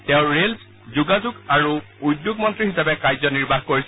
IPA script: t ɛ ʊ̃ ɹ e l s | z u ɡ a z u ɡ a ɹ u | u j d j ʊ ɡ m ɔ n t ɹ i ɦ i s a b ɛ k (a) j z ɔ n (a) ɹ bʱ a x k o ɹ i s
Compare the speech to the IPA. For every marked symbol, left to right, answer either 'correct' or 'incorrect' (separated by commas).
correct, incorrect